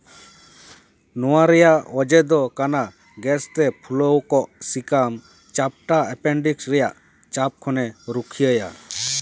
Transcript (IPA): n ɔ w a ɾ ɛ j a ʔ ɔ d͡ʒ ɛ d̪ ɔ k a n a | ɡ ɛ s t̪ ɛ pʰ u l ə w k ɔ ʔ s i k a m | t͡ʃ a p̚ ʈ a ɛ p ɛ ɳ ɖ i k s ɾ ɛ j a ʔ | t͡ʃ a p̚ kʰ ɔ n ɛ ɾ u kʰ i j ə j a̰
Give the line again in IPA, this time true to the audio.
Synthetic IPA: n ɔ w a ɾ ɛ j a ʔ ɔ d͡ʒ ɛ d̪ ɔ k a n a | ɡ ɛ s t̪ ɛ pʰ u l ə w k ɔ ʔ s i k a m | t͡ʃ a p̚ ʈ a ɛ p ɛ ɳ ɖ i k s ɾ ɛ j a ʔ | t͡ʃ a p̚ kʰ ɔ n ɛ ɾ u kʰ i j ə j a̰